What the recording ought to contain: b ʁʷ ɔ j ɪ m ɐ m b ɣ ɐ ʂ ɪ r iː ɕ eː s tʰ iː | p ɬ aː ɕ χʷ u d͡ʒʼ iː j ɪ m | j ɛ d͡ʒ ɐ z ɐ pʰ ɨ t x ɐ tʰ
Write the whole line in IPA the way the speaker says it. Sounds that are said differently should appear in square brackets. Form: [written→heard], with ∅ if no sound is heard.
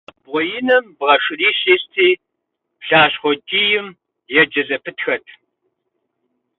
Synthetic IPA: b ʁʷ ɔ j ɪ [m→n] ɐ m b [ɣ→ʁ] ɐ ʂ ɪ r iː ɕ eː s tʰ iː | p ɬ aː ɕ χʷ [u→ɔ] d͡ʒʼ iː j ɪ m | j ɛ d͡ʒ ɐ z ɐ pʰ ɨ t x ɐ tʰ